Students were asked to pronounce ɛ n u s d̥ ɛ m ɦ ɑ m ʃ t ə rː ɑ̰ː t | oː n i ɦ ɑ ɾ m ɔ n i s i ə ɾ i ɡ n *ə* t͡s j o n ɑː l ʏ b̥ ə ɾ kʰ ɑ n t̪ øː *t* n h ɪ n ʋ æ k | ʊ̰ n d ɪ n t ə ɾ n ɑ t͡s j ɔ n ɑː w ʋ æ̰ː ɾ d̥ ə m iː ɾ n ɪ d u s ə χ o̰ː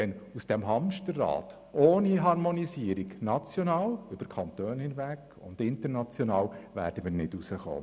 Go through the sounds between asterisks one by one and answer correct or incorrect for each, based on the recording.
incorrect: ɑ, incorrect: none

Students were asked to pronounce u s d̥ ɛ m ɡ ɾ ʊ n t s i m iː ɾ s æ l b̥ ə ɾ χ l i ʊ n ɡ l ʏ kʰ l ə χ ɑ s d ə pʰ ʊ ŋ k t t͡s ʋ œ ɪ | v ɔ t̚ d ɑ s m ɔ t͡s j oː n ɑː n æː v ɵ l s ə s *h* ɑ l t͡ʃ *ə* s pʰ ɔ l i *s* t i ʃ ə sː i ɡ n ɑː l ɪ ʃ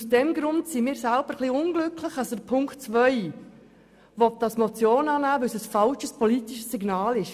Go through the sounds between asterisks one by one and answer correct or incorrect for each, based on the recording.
incorrect: f, correct, incorrect: none

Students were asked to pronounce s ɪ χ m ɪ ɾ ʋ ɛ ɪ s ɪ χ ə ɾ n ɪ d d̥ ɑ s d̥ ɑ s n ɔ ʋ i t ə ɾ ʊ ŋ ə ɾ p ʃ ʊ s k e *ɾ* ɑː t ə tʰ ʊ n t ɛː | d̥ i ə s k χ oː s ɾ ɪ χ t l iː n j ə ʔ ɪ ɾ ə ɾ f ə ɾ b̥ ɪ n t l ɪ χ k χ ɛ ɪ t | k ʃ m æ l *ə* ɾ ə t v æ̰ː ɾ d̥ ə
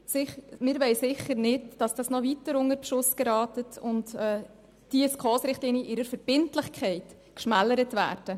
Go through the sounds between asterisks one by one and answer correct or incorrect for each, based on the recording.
correct, correct

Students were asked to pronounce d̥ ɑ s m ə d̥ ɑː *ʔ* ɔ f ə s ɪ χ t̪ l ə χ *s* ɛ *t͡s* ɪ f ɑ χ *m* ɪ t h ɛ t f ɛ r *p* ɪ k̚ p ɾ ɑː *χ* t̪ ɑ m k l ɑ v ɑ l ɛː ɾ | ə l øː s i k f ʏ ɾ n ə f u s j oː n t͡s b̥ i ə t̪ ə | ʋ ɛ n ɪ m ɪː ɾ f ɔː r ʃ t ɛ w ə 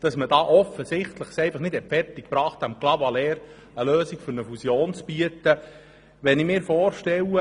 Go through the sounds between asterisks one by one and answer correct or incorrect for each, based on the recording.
correct, correct, incorrect: none, incorrect: n, incorrect: t, correct

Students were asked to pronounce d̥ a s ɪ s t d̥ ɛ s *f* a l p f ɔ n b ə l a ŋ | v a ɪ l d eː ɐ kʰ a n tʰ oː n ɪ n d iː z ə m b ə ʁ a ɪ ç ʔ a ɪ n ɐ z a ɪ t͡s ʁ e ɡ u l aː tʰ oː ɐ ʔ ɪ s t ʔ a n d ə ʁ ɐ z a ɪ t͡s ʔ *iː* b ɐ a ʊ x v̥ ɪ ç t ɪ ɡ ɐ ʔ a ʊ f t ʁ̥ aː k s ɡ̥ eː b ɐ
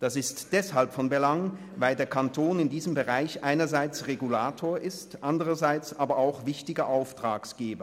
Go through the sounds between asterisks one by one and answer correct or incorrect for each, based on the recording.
incorrect: h, incorrect: aː

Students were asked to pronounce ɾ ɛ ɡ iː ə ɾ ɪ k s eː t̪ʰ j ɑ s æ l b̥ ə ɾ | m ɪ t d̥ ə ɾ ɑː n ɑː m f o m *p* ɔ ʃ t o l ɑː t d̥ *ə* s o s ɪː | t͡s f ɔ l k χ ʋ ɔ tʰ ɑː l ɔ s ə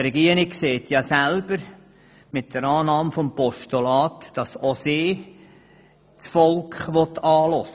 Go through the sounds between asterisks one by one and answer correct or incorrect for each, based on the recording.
correct, incorrect: ɑ

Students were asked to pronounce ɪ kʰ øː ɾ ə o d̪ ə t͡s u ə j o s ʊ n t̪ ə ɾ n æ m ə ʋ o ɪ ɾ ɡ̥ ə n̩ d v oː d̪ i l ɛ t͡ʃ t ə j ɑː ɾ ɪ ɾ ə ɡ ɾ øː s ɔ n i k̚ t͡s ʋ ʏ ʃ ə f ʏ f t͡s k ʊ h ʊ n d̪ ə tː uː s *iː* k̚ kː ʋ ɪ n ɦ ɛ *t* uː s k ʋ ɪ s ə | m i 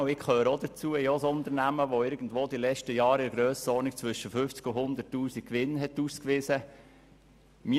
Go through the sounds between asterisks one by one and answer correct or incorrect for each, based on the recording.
incorrect: i, correct

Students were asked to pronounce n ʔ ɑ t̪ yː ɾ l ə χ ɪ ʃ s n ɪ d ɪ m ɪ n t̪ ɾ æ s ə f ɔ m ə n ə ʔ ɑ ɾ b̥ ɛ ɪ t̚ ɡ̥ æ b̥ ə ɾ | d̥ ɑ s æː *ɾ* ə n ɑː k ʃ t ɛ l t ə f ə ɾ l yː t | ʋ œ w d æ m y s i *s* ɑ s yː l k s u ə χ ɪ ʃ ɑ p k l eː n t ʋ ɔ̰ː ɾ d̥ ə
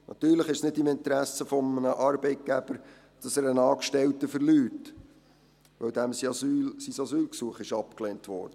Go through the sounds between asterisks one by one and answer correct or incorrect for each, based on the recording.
correct, correct

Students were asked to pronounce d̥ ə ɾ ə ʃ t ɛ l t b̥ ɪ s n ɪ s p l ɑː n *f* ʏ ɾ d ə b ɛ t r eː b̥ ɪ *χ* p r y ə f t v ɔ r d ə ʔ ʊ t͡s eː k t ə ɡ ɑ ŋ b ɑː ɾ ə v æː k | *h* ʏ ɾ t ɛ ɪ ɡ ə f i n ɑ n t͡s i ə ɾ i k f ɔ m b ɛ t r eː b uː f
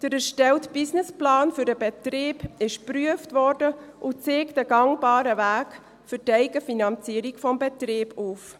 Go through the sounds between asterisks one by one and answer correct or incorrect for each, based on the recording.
correct, incorrect: ʃ, incorrect: f

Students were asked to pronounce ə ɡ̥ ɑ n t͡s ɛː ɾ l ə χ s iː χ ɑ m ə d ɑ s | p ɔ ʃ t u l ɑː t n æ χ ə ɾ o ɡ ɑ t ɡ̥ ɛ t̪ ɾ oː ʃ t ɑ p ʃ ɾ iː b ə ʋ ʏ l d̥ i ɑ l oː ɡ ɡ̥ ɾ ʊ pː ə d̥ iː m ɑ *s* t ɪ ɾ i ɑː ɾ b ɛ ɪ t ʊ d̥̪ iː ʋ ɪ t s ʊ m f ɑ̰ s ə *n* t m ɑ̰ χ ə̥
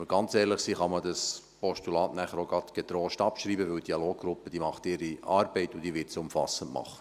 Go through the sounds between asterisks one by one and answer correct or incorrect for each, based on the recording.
incorrect: χ, correct

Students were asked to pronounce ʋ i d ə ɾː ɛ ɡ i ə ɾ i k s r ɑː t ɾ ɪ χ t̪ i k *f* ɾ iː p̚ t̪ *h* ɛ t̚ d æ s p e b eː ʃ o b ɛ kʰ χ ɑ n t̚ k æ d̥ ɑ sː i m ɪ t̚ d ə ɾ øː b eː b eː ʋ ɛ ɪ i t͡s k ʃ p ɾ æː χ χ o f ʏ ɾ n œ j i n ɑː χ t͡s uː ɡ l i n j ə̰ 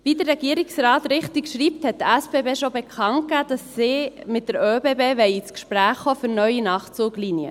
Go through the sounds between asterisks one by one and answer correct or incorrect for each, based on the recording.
incorrect: ʃ, correct

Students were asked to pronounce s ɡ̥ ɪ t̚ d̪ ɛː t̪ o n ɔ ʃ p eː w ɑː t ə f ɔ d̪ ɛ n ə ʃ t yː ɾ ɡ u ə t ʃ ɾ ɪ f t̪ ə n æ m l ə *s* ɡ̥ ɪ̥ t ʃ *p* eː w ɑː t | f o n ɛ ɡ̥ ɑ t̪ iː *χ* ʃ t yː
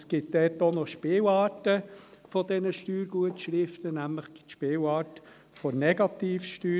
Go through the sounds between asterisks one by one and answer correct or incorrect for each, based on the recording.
incorrect: χ, correct, incorrect: f

